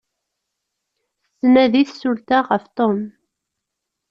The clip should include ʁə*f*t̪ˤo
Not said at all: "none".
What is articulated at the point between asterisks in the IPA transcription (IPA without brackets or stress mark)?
f